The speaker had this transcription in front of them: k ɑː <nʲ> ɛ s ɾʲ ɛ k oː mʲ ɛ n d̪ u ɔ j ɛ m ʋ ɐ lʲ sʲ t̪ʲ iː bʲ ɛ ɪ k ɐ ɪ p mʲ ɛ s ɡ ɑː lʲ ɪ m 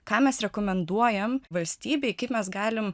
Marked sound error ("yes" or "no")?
yes